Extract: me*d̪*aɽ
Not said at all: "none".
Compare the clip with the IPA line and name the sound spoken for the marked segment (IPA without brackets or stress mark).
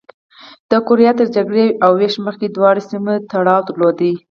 t̪